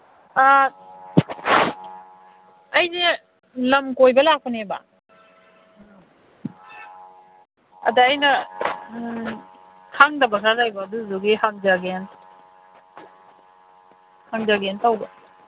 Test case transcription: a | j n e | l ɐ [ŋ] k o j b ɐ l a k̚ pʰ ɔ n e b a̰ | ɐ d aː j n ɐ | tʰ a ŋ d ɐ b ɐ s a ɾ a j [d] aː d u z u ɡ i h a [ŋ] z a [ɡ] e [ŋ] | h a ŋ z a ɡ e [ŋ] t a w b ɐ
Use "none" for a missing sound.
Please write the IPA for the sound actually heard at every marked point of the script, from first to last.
m, b, ŋ, ɡ, n, n

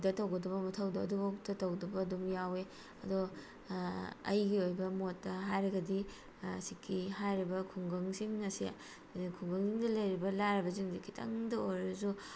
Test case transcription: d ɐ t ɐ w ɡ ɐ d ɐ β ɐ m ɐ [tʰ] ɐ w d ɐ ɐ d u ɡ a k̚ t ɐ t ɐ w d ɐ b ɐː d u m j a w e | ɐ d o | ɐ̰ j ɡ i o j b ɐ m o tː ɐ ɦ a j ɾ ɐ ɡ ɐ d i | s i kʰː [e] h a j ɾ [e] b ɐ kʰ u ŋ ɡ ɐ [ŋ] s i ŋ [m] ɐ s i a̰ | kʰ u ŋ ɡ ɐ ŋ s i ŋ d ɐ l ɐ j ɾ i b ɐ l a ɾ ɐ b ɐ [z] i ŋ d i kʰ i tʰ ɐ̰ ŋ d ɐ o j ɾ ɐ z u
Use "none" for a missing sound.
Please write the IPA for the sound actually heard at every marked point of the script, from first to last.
tʰ, i, i, ŋ, n, z

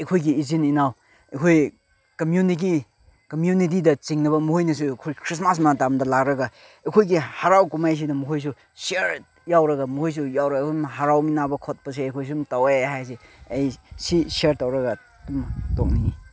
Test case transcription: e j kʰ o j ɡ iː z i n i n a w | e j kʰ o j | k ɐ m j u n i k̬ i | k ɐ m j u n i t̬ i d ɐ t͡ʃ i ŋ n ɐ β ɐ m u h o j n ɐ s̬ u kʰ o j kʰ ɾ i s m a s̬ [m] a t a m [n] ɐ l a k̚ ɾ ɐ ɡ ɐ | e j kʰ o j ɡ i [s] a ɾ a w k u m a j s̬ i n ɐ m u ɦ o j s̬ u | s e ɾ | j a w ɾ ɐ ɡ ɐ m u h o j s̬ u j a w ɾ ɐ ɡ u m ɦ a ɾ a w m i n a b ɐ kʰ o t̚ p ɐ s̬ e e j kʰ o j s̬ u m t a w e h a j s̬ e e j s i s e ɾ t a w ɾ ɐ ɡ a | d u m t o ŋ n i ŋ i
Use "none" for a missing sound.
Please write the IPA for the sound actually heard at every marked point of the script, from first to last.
m, d, h

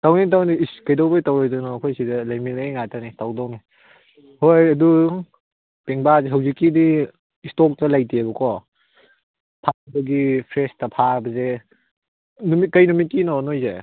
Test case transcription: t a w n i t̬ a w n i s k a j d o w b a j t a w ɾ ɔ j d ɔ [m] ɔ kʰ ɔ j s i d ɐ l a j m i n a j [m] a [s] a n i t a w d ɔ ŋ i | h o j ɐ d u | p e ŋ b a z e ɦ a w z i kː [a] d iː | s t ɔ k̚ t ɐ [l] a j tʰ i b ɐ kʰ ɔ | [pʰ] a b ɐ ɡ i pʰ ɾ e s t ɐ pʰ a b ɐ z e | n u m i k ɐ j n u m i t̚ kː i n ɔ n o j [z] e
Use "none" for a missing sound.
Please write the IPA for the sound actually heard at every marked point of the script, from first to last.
n, ŋ, t, i, l, pʰ, z

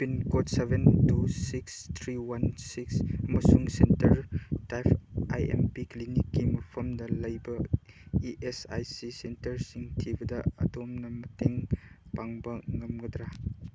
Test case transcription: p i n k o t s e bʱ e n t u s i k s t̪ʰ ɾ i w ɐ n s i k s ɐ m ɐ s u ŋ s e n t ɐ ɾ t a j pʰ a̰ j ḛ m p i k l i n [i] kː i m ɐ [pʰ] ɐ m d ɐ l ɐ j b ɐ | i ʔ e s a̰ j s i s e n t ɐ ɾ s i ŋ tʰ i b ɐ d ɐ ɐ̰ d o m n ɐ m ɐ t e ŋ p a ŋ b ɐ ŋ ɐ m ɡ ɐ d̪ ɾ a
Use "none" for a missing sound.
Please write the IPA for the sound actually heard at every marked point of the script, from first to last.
i, pʰ

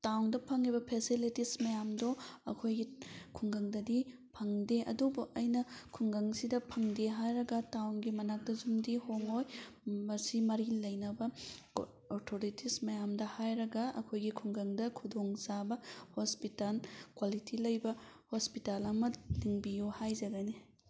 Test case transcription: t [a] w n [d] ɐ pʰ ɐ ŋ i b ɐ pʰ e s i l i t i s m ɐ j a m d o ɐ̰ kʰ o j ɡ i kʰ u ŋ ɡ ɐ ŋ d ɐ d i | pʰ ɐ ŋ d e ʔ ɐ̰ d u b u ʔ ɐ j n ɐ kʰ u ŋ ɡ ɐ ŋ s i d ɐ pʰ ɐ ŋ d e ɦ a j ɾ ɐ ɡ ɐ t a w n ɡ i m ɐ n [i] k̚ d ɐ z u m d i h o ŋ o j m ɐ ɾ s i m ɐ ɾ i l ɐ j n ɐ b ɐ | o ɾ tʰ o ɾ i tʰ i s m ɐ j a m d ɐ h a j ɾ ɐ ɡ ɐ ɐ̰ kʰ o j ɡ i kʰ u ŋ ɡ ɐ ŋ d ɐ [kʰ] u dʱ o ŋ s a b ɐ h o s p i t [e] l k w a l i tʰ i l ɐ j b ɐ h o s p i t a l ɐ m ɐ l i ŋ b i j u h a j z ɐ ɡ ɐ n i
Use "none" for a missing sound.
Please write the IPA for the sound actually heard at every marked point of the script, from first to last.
a, d, a, kʰ, a

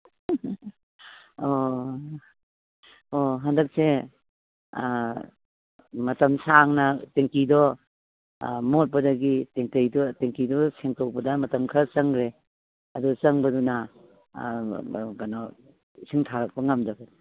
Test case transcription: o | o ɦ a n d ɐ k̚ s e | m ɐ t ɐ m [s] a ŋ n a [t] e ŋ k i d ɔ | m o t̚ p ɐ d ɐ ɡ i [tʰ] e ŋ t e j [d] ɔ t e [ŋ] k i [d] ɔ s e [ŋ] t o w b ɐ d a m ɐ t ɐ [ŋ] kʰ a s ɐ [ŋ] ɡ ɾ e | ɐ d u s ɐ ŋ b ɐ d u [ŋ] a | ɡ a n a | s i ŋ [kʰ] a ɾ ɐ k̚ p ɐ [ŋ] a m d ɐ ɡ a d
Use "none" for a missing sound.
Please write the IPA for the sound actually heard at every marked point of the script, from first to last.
s, t, t, d, ŋ, d, ŋ, m, ŋ, n, tʰ, ŋ

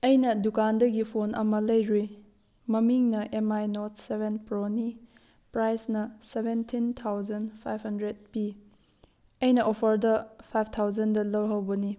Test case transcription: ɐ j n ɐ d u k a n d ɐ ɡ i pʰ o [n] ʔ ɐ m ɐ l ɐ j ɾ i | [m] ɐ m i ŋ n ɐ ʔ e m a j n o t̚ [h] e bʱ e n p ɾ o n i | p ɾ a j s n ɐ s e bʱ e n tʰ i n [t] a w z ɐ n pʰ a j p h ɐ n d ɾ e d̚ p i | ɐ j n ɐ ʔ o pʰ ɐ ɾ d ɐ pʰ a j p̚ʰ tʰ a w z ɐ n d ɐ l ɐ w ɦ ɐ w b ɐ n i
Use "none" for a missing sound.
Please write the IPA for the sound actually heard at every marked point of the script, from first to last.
n, m, s, tʰ

